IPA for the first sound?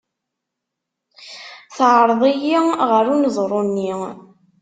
θ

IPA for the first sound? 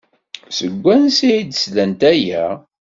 s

